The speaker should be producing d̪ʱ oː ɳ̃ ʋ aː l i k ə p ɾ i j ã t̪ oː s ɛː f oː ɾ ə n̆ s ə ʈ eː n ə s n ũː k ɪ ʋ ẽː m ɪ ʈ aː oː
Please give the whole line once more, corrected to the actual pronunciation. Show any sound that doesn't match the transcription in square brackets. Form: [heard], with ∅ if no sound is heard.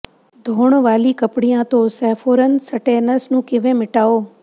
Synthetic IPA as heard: d̪ʱ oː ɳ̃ ʋ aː l i k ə p [ɽ] i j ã t̪ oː s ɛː f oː ɾ ə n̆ s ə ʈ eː n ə s n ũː k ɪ ʋ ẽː m ɪ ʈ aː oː